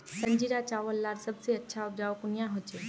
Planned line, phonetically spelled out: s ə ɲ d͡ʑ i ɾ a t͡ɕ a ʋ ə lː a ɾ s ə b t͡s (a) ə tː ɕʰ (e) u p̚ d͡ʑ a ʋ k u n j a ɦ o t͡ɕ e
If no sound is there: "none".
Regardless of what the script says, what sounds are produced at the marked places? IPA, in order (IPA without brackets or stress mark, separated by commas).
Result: e, a